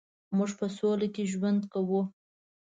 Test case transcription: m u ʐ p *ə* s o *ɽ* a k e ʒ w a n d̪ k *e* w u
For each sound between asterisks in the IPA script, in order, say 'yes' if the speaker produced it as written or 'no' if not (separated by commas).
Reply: yes, no, no